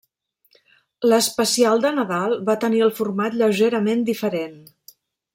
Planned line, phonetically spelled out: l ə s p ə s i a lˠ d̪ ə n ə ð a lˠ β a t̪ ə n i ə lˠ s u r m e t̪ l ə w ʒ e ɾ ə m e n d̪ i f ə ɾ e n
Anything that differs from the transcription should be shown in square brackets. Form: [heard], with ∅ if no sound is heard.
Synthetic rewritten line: l ə s p ə s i a lˠ d̪ ə n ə ð a lˠ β a t̪ ə n i ə lˠ [f] u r m [a] t̪ [ʎ] ə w ʒ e ɾ ə m e n d̪ i f ə ɾ e n